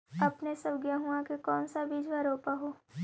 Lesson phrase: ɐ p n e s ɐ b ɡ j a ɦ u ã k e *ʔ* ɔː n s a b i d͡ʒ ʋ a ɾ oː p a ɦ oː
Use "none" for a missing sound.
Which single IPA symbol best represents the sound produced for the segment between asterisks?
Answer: k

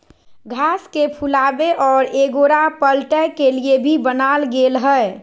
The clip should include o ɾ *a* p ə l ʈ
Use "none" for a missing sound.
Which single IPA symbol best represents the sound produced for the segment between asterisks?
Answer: a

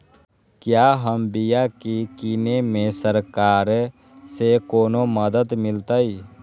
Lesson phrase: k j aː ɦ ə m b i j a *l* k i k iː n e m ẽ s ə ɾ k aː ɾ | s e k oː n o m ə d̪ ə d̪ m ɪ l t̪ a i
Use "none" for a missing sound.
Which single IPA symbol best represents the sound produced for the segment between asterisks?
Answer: none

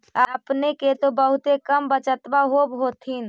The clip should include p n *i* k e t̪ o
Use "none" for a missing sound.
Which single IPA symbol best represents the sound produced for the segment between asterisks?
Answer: e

